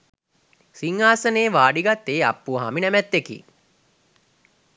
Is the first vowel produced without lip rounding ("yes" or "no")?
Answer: yes